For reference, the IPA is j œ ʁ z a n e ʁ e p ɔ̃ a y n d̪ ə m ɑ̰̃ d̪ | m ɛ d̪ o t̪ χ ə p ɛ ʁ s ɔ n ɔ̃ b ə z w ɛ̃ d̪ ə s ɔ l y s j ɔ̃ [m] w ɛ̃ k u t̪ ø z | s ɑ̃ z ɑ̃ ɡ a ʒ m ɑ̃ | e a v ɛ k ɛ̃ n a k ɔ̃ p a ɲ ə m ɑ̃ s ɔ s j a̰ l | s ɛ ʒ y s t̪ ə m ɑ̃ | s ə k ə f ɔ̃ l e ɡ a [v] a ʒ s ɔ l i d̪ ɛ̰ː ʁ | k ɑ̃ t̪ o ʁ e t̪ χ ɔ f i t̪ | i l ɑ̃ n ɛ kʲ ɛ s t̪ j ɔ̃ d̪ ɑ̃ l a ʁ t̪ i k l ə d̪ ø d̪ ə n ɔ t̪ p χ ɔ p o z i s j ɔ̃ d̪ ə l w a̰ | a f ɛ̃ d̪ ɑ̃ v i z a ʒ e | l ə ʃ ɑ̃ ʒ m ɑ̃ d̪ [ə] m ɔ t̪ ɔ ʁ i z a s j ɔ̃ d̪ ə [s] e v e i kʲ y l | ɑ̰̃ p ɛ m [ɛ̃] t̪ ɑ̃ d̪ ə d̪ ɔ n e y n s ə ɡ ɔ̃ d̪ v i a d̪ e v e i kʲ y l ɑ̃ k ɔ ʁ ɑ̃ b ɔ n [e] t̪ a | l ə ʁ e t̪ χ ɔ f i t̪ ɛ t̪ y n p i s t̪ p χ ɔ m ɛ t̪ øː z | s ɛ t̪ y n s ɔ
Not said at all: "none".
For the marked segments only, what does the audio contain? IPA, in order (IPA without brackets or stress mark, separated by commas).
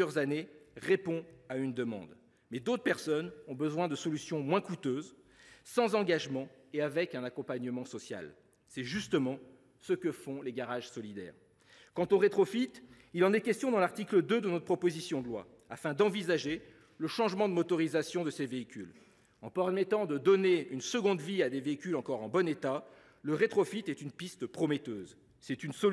m, ʁ, ə, s, ɛ, e